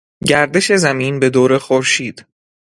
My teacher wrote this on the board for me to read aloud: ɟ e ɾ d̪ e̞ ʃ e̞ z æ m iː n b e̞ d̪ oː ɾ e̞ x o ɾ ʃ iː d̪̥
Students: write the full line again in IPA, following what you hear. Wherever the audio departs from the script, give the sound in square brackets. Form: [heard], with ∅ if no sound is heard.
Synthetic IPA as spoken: ɟ [æ] ɾ d̪ e̞ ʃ e̞ z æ m iː n b e̞ d̪ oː ɾ e̞ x o ɾ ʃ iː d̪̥